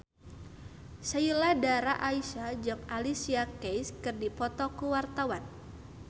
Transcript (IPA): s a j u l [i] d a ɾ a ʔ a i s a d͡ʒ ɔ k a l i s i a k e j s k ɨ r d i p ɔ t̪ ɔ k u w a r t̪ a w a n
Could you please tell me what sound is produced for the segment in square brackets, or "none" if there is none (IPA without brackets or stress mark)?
a